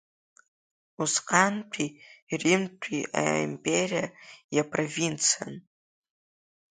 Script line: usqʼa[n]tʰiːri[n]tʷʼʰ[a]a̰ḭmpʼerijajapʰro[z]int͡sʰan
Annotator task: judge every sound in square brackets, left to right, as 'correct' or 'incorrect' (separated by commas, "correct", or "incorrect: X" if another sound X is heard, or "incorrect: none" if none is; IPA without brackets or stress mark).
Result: correct, incorrect: m, incorrect: i, incorrect: v